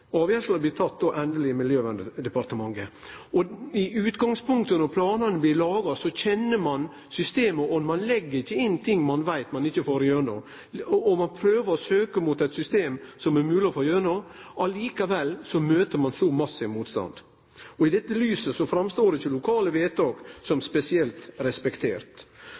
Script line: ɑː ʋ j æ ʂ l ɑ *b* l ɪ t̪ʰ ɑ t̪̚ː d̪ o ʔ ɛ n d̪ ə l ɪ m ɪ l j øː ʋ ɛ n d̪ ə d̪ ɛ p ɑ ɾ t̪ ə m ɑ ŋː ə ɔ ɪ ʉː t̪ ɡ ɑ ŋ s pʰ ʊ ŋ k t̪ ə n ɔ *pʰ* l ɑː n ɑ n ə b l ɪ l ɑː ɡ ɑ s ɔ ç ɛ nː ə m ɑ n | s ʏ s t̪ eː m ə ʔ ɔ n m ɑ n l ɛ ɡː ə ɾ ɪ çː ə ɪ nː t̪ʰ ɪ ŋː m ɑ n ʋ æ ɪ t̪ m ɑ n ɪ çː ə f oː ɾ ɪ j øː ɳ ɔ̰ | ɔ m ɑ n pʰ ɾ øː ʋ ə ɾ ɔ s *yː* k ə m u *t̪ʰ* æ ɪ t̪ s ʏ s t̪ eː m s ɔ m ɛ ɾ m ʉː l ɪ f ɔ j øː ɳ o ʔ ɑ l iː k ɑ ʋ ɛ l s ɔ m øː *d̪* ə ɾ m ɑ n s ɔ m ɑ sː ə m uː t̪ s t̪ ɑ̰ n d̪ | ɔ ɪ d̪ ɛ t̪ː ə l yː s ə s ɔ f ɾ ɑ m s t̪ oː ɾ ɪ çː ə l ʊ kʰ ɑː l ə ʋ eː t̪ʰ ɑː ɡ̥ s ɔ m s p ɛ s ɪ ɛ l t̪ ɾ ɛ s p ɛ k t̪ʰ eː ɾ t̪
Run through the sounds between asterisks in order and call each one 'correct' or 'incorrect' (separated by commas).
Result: correct, correct, incorrect, incorrect, incorrect